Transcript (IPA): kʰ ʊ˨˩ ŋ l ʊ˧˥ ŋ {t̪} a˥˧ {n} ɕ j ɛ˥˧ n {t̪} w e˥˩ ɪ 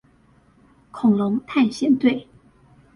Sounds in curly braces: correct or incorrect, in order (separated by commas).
incorrect, correct, correct